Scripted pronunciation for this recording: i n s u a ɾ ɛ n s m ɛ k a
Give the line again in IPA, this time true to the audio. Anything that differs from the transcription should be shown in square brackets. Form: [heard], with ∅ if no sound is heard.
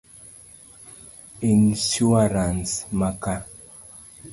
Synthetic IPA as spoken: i n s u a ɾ [a] n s m [a] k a